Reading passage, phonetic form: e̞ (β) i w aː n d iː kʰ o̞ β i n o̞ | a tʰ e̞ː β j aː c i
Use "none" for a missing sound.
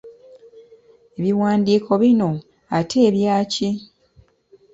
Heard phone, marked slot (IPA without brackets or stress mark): β